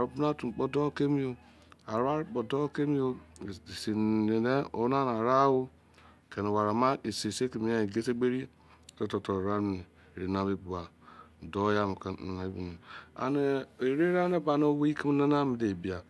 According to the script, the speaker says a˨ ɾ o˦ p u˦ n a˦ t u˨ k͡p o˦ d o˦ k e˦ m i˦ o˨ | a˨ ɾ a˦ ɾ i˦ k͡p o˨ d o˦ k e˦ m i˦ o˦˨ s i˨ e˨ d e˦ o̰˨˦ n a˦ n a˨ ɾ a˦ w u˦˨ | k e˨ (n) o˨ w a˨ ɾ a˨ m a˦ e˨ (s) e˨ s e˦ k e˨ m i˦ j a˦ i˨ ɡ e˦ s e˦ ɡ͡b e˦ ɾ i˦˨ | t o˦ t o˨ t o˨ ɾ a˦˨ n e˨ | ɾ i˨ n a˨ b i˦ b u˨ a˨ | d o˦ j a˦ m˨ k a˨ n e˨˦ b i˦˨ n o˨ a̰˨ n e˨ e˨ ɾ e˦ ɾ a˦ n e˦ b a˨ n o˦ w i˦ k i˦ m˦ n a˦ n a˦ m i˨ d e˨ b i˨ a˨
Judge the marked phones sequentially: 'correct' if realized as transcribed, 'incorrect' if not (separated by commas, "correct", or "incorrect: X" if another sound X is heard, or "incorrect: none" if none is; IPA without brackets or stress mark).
correct, correct